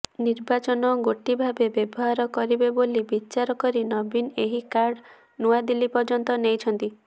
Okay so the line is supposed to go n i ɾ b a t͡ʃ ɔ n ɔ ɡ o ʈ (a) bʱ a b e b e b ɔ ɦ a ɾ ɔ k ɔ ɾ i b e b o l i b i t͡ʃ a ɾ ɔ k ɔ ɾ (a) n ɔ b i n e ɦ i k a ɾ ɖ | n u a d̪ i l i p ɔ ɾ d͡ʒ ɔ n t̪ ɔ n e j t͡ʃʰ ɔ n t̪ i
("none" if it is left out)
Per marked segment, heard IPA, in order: i, i

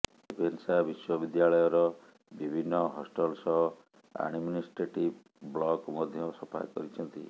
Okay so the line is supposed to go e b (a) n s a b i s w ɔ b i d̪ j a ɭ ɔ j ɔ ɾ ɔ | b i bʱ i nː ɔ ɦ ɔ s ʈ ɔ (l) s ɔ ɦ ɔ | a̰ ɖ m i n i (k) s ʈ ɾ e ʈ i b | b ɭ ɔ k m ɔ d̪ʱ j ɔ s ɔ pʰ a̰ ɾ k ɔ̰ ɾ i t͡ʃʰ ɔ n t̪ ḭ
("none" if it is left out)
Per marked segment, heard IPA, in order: e, l, none

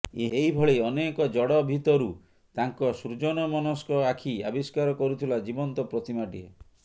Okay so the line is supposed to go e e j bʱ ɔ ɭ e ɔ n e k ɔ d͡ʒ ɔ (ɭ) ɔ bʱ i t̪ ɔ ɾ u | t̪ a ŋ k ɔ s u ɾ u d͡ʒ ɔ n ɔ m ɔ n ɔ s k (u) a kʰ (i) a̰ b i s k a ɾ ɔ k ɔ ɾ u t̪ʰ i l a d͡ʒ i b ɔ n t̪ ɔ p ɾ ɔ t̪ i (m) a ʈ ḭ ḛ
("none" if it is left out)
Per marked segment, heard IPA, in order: ɽ, ɔ, i, m

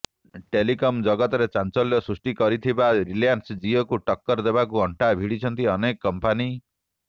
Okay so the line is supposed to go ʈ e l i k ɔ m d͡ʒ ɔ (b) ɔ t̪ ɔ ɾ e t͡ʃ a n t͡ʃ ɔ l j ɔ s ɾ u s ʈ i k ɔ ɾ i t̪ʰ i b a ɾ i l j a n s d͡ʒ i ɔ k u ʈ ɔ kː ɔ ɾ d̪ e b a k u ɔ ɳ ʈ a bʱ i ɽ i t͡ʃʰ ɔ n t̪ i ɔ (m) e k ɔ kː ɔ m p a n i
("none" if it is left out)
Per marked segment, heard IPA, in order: ɡ, n

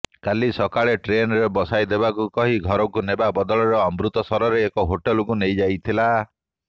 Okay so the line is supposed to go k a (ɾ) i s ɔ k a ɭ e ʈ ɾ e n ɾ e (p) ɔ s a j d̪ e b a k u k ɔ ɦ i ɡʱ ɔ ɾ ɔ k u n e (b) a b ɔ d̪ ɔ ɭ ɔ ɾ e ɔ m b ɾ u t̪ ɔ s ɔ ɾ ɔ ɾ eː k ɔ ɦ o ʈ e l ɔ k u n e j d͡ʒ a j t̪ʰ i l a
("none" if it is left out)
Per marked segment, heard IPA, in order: l, b, b

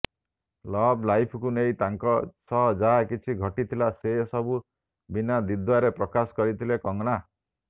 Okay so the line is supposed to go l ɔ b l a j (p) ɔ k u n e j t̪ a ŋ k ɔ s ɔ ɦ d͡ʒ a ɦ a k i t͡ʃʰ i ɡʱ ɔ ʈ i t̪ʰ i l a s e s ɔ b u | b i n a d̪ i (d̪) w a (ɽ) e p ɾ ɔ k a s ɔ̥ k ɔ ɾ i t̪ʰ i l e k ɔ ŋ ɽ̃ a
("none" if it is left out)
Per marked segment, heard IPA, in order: pʰ, d̪, ɾ

